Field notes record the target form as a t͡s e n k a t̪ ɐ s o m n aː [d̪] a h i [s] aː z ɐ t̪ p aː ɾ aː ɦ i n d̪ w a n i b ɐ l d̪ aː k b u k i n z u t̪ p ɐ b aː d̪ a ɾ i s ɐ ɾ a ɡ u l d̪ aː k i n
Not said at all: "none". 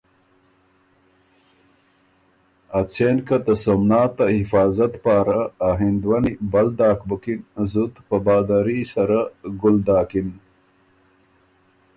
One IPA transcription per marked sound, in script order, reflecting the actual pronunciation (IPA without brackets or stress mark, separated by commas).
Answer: t̪, f